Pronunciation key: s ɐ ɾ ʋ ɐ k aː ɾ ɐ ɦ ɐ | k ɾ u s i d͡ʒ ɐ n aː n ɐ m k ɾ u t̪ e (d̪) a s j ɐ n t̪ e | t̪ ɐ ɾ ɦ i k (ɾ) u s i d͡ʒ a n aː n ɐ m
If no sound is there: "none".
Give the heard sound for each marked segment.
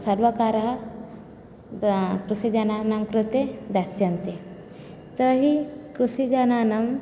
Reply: d̪, ɾ

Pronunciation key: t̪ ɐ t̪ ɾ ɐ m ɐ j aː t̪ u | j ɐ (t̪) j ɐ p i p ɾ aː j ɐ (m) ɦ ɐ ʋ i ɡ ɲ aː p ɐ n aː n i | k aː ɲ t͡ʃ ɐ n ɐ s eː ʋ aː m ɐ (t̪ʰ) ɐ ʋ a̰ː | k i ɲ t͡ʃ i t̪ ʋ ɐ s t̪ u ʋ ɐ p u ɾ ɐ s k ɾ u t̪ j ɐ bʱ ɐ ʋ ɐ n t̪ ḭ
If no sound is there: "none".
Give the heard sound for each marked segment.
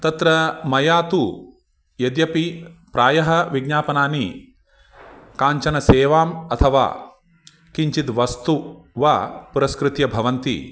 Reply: d̪, none, t̪ʰ

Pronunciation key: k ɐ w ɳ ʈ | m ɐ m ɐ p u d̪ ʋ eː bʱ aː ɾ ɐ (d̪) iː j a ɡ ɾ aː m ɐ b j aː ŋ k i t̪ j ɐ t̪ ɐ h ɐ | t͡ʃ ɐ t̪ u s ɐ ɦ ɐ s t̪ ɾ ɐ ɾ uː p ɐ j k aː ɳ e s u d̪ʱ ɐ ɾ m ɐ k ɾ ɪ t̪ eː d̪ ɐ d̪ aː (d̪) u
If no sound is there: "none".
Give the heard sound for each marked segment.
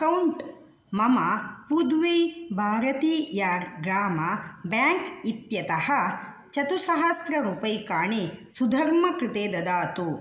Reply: t̪, t̪

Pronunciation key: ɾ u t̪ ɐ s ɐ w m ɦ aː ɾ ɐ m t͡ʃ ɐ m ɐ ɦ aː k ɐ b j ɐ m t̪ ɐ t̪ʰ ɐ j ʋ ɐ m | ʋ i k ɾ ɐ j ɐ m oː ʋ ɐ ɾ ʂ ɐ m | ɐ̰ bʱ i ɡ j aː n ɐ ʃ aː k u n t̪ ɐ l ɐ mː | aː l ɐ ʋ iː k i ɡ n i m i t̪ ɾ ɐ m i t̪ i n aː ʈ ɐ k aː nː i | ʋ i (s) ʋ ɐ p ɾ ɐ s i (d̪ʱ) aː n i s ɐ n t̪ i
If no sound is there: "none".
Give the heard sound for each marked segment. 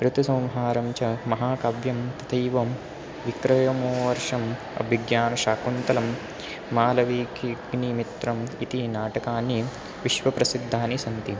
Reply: ʃ, d̪ʱː

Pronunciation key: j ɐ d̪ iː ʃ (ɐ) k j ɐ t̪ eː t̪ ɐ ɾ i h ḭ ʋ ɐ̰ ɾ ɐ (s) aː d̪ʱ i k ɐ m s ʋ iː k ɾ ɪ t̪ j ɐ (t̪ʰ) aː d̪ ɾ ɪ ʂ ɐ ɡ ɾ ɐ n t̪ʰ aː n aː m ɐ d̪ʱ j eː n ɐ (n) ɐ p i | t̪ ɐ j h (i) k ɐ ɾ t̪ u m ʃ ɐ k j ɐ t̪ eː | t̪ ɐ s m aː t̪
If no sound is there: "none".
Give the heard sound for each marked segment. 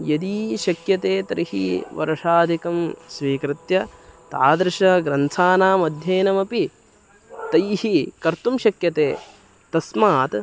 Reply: ɐ, ʂ, t̪, m, i

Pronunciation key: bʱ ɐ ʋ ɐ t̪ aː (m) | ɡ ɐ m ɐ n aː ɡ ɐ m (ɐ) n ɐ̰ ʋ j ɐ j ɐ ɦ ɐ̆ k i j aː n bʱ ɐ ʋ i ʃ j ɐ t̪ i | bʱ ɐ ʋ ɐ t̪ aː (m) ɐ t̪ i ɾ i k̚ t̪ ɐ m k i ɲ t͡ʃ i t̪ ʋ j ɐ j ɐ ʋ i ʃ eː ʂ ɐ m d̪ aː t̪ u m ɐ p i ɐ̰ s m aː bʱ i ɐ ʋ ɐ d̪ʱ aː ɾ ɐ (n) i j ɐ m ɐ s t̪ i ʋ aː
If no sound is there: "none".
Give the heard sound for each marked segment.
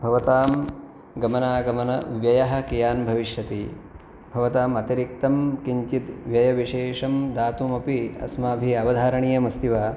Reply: m, ɐ, m, ɳ

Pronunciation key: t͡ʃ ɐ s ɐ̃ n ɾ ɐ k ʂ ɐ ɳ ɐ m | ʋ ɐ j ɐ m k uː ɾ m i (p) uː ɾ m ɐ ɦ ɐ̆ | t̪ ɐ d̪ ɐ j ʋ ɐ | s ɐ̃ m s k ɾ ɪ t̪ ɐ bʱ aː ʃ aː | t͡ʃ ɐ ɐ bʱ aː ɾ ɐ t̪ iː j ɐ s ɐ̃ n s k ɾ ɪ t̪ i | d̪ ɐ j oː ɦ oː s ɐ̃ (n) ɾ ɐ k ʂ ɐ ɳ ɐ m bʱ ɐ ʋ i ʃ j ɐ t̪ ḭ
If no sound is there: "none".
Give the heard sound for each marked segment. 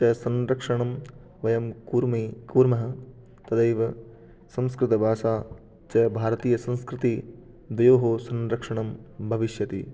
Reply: k, n

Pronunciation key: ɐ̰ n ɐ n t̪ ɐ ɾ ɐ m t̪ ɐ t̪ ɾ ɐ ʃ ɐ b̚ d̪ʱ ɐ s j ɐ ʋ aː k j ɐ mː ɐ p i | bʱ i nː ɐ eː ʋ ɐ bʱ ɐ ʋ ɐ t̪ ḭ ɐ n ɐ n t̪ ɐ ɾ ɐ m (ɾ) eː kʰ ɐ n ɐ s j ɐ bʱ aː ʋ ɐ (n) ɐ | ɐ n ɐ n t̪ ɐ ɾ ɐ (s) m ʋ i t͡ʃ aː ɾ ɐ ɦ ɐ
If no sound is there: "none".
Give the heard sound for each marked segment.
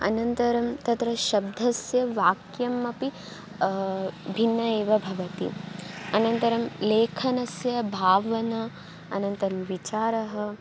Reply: l, n, none

